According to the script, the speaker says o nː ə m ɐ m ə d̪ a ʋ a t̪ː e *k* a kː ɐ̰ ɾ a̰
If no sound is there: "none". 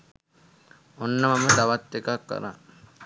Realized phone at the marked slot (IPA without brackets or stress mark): k